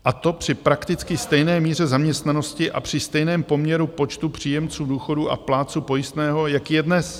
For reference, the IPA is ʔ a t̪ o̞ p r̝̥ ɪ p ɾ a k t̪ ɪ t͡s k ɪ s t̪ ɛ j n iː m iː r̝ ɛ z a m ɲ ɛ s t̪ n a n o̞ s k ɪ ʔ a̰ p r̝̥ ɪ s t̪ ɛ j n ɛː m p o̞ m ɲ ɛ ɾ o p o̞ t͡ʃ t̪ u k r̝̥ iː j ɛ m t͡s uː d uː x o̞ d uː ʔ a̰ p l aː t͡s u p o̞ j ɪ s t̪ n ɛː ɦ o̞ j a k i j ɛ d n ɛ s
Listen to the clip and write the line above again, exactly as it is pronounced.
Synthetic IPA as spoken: ʔ a t̪ o̞ p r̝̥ ɪ p ɾ a k t̪ ɪ t͡s k ɪ s t̪ ɛ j n ɛː m iː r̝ ɛ z a m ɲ ɛ s t̪ n a n o̞ s c ɪ ʔ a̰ p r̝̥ ɪ s t̪ ɛ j n ɛː m p o̞ m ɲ ɛ ɾ u p o̞ t͡ʃ t̪ u p r̝̥ iː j ɛ m t͡s uː d uː x o̞ d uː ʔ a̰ p l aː t͡s u p o̞ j ɪ s t̪ n ɛː ɦ o̞ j a k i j ɛ d n ɛ s